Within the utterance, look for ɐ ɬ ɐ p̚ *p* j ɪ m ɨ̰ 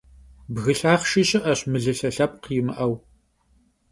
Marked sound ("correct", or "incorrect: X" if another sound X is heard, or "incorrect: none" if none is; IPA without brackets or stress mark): incorrect: q